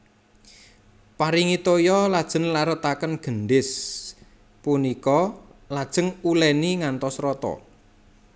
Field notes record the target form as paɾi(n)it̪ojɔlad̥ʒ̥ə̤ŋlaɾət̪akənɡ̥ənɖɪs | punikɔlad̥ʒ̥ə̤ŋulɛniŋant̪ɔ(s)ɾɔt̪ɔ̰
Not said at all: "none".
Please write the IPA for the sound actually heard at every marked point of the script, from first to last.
ŋ, s

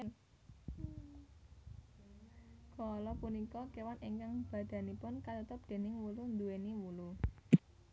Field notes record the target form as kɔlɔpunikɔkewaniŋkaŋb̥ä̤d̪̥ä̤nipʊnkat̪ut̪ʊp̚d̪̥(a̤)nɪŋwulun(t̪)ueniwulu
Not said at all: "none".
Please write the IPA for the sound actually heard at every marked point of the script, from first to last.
e̤, d̪

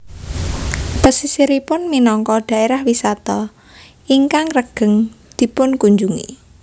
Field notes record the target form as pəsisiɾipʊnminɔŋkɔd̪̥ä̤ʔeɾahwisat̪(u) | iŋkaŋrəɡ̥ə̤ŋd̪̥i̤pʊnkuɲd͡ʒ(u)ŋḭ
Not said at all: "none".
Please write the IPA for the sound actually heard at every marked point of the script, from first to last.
ɔ, u

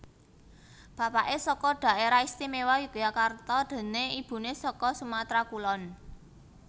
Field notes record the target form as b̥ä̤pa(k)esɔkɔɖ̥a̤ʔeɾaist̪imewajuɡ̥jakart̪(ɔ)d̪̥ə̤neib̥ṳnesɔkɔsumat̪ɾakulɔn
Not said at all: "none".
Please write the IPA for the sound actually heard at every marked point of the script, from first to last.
ʔ, ɔ

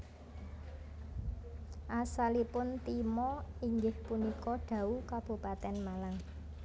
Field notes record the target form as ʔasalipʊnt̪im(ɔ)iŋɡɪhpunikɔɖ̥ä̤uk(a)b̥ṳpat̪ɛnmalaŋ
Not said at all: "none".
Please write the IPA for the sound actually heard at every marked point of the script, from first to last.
ɔ, a

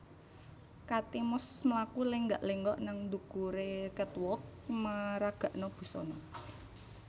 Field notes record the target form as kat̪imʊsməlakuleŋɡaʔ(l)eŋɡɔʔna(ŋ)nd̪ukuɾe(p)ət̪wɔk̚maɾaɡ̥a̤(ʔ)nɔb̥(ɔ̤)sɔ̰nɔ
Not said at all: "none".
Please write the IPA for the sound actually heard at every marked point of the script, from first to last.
l, ŋ, k, ʔ, ṳ

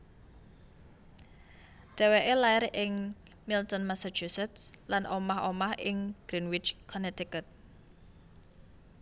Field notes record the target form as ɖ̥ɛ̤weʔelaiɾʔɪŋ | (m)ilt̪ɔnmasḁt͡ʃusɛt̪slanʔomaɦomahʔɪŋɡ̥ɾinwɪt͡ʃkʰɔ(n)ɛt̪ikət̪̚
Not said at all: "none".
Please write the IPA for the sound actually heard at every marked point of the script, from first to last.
m, n

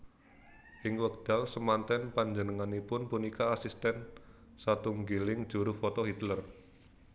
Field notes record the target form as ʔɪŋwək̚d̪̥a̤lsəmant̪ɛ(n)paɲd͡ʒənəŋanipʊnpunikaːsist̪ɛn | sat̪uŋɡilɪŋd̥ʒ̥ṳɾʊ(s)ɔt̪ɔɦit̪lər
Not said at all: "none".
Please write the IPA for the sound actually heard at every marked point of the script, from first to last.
n, f

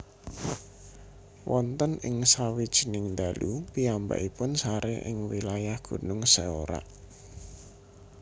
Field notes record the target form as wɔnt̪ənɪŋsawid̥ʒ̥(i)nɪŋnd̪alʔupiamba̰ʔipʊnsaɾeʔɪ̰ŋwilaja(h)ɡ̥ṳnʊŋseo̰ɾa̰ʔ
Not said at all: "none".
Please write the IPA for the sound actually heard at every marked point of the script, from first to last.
i, h

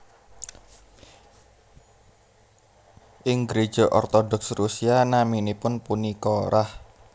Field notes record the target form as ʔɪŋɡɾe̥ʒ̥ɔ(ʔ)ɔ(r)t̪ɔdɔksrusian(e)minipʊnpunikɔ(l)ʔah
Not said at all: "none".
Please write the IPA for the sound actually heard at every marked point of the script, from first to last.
ʔ, r, a, ɾ

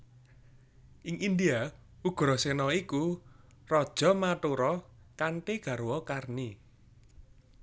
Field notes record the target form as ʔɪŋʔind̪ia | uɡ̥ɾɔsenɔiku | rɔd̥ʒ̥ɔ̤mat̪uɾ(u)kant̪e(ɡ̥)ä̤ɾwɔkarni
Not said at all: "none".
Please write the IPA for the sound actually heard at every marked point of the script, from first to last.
ɔ, ɡ̥

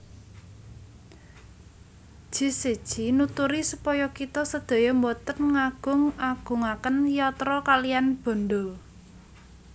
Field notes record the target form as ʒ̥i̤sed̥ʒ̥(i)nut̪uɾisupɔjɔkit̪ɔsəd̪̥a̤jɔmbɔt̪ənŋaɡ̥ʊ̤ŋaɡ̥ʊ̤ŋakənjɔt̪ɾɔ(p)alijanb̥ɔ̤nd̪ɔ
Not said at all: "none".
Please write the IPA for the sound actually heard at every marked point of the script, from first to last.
i, k

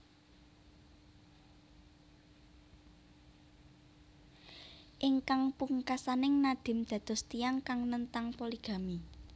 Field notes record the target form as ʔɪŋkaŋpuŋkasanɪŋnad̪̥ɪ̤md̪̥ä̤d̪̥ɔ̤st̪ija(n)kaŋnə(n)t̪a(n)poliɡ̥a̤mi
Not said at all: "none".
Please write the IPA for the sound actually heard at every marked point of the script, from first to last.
ŋ, n, ŋ

